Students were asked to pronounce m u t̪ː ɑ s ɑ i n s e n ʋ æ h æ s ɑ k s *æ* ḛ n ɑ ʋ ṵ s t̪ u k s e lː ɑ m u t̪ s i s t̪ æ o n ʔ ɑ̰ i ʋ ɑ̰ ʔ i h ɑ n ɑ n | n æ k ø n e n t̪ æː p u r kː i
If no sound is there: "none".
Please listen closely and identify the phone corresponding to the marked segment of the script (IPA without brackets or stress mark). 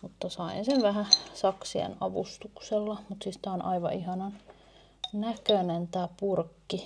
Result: i